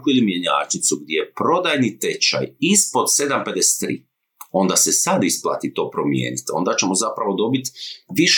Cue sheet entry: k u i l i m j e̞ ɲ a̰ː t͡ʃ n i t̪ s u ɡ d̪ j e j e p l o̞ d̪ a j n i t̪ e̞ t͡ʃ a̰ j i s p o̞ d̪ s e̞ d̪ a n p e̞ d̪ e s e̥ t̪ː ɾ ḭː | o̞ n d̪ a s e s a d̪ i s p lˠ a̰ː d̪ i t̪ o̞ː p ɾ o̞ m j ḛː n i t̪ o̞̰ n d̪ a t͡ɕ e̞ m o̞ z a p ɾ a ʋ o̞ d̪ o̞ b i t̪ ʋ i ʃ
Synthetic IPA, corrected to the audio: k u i l i m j e̞ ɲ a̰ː t͡ʃ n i t̪ s u ɡ d̪ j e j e p ɾ o̞ d̪ a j n i t̪ e̞ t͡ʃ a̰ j i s p o̞ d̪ s e̞ d̪ a m p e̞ d̪ e s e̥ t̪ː ɾ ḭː | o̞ n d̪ a s e s a d̪ i s p lˠ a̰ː t̪ i t̪ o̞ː p ɾ o̞ m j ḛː n i t̪ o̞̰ n d̪ a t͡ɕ e̞ m o̞ z a p ɾ a ʋ o̞ d̪ o̞ b i t̪ ʋ i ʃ